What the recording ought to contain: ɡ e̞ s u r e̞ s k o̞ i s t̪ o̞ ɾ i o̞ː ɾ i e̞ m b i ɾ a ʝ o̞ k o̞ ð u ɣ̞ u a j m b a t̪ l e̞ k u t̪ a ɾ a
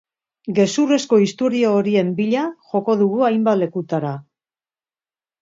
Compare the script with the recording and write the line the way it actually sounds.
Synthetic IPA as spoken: ɡ e̞ s u r e̞ s k o̞ i s t̪ o̞ ɾ i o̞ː ɾ i e̞ m b i ʎ a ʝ o̞ k o̞ ð u ɣ̞ u a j m b a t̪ l e̞ k u t̪ a ɾ a